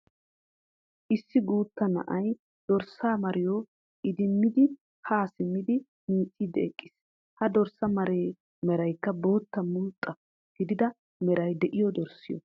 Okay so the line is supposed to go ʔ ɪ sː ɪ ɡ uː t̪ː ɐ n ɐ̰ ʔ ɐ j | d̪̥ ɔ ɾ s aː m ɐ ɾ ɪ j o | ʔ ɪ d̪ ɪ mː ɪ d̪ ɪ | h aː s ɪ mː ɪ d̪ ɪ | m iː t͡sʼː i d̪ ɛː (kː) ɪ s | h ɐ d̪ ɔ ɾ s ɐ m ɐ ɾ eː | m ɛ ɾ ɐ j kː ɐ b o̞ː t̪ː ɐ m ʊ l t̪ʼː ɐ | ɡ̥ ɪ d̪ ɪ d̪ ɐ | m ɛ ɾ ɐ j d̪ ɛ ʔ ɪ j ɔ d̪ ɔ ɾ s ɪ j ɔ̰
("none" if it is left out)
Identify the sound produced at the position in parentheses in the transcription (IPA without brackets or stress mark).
kʼː